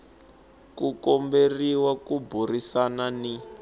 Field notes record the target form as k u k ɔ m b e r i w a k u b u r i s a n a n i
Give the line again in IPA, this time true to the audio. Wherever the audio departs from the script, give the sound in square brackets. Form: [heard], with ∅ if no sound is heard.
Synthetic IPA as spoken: k u k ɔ m b e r i w a k u b u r i s a n a n i